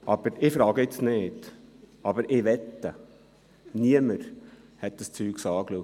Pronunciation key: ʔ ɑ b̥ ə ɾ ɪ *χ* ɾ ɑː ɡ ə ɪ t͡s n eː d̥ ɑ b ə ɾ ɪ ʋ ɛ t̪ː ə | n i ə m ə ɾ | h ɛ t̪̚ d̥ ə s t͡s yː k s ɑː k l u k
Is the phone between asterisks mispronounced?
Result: yes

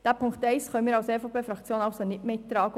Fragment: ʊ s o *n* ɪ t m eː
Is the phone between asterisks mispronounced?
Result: no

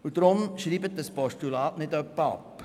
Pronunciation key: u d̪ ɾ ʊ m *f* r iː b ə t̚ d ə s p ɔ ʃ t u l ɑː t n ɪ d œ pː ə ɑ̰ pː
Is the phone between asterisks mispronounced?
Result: yes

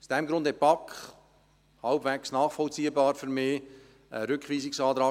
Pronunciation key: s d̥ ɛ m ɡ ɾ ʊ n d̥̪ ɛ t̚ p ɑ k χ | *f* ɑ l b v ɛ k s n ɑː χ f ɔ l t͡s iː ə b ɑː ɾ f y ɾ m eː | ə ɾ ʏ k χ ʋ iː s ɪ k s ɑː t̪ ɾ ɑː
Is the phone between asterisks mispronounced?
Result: yes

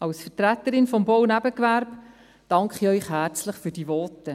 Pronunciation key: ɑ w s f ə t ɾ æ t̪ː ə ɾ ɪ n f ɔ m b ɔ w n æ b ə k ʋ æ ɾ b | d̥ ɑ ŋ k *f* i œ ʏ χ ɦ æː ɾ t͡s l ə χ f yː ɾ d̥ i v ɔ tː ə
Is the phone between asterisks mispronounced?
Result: yes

